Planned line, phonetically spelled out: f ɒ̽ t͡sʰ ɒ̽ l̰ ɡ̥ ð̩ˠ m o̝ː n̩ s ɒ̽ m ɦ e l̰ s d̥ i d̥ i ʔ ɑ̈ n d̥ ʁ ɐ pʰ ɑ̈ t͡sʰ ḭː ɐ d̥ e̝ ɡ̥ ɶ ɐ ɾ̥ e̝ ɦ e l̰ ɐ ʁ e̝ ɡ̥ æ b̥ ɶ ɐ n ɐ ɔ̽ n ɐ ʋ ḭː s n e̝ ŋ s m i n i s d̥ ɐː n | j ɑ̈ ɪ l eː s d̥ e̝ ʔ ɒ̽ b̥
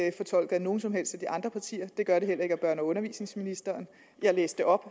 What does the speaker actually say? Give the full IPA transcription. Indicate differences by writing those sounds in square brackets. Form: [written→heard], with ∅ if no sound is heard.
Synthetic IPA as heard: f ɒ̽ t͡sʰ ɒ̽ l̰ ɡ̥ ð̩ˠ [m→n] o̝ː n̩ s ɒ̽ m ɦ e l̰ s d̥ [i→æ] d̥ i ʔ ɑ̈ n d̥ ʁ ɐ pʰ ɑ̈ t͡sʰ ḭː ɐ d̥ e̝ ɡ̥ ɶ ɐ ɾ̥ e̝ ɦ e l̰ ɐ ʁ e̝ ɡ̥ æ b̥ ɶ ɐ n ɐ ɔ̽ n ɐ ʋ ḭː s n e̝ ŋ s m i n i s d̥ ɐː n | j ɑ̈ ɪ l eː s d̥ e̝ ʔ ɒ̽ b̥

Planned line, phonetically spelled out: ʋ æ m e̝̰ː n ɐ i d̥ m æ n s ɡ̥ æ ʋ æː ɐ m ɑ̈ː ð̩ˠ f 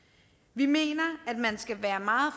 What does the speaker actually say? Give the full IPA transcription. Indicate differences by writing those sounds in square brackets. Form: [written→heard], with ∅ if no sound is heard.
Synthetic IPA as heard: ʋ [æ→i] m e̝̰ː n ɐ [i→æ] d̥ m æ n s ɡ̥ æ ʋ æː ɐ m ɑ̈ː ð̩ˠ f

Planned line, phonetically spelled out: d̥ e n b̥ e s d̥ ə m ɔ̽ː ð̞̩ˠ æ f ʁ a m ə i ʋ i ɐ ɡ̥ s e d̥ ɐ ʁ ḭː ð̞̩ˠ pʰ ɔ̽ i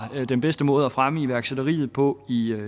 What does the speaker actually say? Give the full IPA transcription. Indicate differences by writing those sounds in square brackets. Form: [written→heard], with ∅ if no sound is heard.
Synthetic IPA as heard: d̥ e n b̥ e s d̥ ə m ɔ̽ː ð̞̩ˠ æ f ʁ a m ə i ʋ [i→æ] ɐ ɡ̥ s e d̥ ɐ ʁ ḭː ð̞̩ˠ pʰ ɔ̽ i

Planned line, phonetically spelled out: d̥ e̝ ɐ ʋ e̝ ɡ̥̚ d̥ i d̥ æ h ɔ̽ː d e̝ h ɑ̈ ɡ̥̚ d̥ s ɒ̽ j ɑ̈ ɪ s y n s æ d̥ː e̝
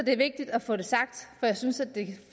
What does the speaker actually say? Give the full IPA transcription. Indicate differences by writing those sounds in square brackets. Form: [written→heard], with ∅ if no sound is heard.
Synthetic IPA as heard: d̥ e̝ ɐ ʋ e̝ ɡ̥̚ d̥ i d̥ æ [h→f] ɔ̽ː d e̝ [h→s] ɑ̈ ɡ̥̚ d̥ [s→f] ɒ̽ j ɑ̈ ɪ s y n s æ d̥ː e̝

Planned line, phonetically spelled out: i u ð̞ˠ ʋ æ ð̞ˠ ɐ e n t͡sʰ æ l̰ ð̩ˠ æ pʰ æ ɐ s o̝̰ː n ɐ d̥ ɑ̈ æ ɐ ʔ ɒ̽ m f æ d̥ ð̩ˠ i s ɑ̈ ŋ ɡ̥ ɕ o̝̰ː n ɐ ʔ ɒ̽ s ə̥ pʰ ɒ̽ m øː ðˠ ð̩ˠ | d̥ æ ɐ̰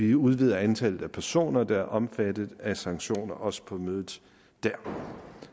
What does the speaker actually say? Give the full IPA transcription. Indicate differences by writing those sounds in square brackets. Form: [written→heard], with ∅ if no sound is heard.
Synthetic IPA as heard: i u ð̞ˠ ʋ [æ→i] ð̞ˠ ɐ [e→æ] n t͡sʰ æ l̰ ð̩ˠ æ pʰ æ ɐ s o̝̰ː n ɐ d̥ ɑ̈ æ ɐ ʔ ɒ̽ m f æ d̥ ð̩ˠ [i→æ] s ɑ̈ ŋ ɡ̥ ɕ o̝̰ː n ɐ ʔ ɒ̽ s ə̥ pʰ ɒ̽ m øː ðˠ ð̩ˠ | d̥ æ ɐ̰

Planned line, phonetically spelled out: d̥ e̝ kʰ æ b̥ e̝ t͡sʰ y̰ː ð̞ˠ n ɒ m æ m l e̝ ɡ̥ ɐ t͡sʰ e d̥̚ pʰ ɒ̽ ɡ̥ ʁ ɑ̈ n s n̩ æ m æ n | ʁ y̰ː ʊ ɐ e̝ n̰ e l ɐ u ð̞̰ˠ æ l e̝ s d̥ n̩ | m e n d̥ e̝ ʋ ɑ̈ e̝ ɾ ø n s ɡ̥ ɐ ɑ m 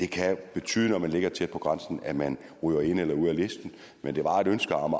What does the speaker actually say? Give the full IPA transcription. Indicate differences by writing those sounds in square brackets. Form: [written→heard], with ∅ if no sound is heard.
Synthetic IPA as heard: d̥ e̝ kʰ æ b̥ e̝ t͡sʰ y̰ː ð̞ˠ n ɒ m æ [m→n] l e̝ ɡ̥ ɐ t͡sʰ e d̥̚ pʰ ɒ̽ ɡ̥ ʁ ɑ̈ n s n̩ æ m æ n | ʁ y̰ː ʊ ɐ e̝ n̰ e l ɐ u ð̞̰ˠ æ l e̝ s d̥ n̩ | m e n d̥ e̝ ʋ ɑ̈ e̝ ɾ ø n s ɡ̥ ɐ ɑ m

